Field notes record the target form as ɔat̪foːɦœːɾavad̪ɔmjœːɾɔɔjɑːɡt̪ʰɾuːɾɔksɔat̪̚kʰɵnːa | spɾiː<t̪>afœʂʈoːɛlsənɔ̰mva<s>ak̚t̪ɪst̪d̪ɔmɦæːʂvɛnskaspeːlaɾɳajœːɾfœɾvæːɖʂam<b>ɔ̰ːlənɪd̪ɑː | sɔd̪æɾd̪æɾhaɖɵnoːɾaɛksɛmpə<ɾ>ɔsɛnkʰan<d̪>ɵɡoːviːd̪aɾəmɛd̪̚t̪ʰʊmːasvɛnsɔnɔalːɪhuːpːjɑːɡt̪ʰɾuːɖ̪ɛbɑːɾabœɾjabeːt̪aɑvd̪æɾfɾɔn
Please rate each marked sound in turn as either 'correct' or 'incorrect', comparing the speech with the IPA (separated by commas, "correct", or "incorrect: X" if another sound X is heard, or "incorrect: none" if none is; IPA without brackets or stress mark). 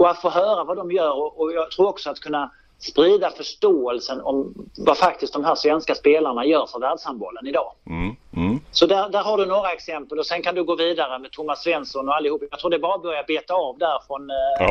incorrect: d̪, incorrect: f, correct, incorrect: l, correct